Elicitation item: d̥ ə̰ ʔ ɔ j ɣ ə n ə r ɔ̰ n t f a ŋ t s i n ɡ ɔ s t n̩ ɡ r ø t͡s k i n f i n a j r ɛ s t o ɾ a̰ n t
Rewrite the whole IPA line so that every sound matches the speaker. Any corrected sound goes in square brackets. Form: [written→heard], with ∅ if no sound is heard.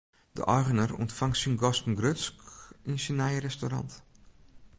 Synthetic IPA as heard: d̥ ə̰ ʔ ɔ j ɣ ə n ə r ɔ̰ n t f a ŋ t s i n ɡ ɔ s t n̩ ɡ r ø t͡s k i n [f→s] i n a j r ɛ s t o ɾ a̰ n t